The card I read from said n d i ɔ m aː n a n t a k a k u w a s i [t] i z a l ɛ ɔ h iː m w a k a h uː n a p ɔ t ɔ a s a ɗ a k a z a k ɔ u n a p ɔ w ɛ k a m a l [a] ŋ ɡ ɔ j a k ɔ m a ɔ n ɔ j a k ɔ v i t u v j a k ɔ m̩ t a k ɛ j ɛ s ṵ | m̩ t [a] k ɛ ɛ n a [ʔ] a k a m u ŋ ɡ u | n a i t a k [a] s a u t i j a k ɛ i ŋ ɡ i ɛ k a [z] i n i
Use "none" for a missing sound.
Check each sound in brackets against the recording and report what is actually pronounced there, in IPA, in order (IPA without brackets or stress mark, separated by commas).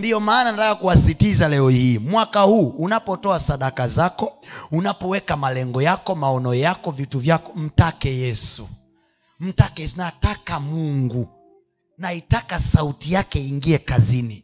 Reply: t, ɛ, a, t, a, z